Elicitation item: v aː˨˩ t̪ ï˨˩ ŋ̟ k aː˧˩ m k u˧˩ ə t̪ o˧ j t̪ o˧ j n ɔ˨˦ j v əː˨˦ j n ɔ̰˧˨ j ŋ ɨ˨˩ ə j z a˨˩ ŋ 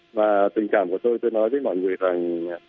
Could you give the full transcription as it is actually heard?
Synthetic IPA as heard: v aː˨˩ t̪ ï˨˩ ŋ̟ k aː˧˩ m k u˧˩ ə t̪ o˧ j t̪ o˧ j n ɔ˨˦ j v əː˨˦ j m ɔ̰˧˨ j ŋ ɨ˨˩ ə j z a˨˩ ŋ